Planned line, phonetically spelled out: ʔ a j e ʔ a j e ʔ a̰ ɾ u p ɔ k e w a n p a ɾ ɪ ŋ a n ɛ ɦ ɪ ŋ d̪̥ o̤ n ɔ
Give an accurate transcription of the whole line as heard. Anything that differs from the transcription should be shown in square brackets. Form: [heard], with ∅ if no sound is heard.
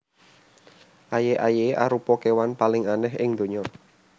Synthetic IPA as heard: ʔ a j e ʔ a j e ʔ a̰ ɾ u p ɔ k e w a n p a [l] ɪ ŋ a n ɛ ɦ ɪ ŋ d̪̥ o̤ [ɲ] ɔ